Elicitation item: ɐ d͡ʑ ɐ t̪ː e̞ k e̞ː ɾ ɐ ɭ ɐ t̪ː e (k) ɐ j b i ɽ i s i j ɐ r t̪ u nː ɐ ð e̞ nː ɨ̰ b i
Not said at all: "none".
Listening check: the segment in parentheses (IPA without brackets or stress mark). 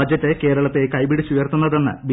k